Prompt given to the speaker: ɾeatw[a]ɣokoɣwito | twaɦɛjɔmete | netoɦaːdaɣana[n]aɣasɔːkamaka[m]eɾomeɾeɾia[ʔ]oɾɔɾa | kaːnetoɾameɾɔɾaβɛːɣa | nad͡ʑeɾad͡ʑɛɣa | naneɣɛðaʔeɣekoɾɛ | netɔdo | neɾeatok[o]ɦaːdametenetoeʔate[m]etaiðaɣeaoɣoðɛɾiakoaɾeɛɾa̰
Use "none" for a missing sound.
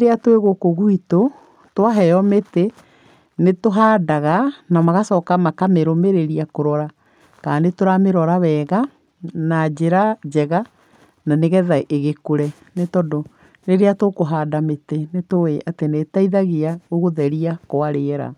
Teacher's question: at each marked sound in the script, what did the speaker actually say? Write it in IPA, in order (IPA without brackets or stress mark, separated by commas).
e, m, m, k, o, n